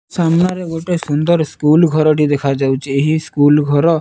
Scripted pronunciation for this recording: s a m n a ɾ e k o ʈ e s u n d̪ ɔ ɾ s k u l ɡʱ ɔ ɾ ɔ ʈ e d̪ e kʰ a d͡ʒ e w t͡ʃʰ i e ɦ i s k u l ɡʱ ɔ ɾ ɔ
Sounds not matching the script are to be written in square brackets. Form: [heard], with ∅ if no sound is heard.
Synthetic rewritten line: s a m n a ɾ e [ɡ] o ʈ e s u n d̪ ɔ ɾ s k u l ɡʱ ɔ ɾ ɔ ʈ [i] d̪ e kʰ a d͡ʒ [a] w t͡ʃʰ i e ɦ i s k u l ɡʱ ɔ ɾ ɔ